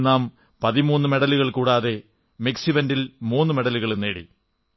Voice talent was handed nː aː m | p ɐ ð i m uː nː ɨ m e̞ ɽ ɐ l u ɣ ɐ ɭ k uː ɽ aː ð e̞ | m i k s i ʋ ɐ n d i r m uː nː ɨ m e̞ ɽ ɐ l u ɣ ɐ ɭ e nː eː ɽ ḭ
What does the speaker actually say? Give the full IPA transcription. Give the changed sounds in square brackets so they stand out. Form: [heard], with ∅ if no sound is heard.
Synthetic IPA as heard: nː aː m | p ɐ ð i m uː nː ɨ m e̞ ɽ ɐ l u ɣ ɐ ɭ k uː ɽ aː ð e̞ | m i k s i ʋ ɐ n d i [l] m uː nː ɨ m e̞ ɽ ɐ l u ɣ ɐ ɭ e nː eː ɽ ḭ